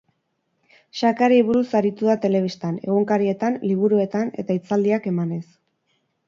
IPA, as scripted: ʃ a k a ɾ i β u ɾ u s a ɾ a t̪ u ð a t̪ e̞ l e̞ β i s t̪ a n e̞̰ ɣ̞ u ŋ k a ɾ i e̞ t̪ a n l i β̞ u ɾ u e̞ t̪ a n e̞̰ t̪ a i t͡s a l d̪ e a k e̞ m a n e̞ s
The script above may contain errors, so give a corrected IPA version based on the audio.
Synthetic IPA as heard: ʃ a k a ɾ i β u ɾ u s a ɾ i t̪ u ð a t̪ e̞ l e̞ β i s t̪ a n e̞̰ ɣ̞ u ŋ k a ɾ i e̞ t̪ a n l i β̞ u ɾ u e̞ t̪ a n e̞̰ t̪ a i t͡s a l d̪ i a k e̞ m a n e̞ s